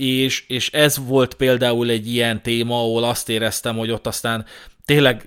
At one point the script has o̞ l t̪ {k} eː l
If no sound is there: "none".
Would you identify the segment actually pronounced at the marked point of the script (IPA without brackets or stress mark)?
p